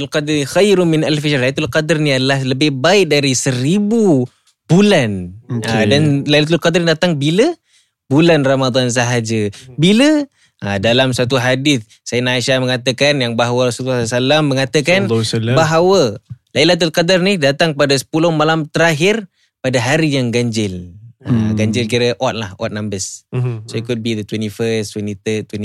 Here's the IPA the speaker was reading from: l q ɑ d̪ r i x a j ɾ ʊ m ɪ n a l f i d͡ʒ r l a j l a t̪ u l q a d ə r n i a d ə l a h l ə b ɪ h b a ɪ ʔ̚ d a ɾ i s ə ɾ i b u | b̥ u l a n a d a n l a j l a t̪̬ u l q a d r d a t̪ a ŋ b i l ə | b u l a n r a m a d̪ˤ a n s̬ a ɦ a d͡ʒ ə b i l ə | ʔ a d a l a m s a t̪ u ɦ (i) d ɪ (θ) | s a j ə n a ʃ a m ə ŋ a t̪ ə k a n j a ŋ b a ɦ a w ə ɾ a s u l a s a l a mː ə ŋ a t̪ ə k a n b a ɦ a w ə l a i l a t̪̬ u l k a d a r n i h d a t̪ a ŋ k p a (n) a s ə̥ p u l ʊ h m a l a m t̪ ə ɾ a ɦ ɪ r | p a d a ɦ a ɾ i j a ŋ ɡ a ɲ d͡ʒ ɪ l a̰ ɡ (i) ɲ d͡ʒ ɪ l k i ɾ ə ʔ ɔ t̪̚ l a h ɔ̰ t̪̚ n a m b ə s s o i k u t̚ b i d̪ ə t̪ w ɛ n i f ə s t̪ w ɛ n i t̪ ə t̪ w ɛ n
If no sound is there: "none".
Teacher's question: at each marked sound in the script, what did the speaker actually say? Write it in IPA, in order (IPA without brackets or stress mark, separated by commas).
a, θ, d, a